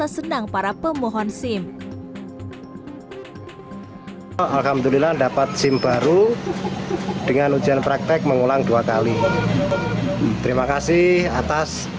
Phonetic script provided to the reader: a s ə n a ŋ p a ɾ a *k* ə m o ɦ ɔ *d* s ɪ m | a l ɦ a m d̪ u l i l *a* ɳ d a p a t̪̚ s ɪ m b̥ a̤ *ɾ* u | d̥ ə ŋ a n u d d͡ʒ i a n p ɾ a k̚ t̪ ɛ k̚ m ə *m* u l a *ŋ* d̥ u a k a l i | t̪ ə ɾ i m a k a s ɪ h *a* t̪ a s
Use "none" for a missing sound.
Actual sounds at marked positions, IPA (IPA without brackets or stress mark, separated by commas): p, n, a, ɾ, ŋ, ŋ, a